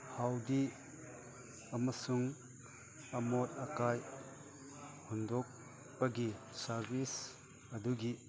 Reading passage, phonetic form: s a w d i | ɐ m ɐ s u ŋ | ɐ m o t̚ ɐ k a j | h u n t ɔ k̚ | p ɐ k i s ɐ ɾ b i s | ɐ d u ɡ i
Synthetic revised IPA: h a w d i | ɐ m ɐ s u ŋ | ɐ m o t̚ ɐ k a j | h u n d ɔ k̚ | p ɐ ɡ i s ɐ ɾ b i s | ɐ d u ɡ i